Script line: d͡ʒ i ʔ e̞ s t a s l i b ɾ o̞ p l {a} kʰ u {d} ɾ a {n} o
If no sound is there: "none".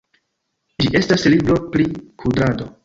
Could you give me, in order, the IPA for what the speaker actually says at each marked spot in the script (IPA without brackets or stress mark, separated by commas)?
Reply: i, d, d